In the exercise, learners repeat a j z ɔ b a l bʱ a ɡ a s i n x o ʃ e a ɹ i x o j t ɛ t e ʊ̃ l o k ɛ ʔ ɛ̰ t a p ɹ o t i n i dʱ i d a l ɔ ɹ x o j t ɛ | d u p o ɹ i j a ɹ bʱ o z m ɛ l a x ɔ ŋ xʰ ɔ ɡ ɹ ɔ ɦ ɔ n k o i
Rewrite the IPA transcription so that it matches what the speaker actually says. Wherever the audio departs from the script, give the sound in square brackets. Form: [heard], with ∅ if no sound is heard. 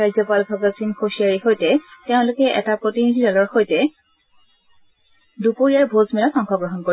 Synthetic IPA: a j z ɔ [p] a l bʱ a ɡ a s i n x o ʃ [i] a ɹ i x o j t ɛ t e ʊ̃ l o k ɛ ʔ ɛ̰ t a p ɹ o t i n i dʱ i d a l ɔ ɹ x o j t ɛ | d u p o ɹ i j a ɹ bʱ o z m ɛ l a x ɔ ŋ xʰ ɔ ɡ ɹ ɔ ɦ ɔ n k o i